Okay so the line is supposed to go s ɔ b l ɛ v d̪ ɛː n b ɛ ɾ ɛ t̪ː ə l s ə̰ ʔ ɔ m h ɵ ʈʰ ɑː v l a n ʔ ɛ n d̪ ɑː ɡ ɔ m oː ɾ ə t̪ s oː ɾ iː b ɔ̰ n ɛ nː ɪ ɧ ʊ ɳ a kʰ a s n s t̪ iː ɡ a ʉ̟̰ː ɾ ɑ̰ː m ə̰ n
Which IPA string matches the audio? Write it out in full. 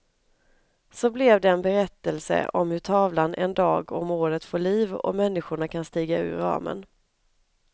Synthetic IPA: s ɔ b l ɛ v d̪ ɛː n b ɛ ɾ ɛ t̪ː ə l s ə̰ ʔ ɔ m h ɵ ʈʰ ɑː v l a n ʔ ɛ n d̪ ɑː ɡ ɔ m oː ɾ ə t̪ f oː ɭ iː v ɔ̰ m ɛ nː ɪ ɧ ʊ ɳ a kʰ a n s t̪ iː ɡ a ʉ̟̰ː ɾ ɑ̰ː m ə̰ n